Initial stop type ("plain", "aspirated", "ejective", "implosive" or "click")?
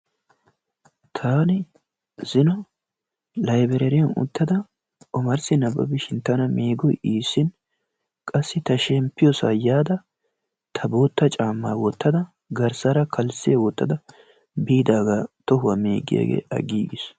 aspirated